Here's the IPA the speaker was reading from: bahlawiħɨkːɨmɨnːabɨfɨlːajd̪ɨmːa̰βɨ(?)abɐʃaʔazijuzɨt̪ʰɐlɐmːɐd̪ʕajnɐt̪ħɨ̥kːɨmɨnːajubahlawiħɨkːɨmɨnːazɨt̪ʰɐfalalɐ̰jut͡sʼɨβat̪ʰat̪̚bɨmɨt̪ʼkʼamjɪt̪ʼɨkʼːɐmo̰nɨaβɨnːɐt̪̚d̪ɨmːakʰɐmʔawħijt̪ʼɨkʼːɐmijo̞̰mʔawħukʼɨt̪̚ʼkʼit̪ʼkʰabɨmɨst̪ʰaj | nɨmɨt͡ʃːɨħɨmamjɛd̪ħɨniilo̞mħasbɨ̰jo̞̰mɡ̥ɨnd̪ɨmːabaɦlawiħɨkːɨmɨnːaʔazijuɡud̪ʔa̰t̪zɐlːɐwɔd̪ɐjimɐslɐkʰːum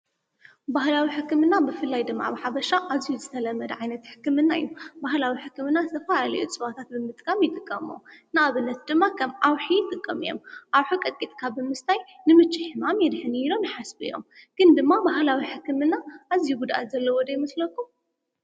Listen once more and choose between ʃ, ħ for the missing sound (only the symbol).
ħ